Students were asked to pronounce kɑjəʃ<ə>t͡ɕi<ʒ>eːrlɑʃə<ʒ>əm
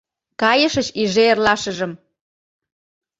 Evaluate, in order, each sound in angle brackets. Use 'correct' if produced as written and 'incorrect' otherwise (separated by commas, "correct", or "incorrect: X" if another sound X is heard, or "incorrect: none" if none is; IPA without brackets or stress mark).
correct, correct, correct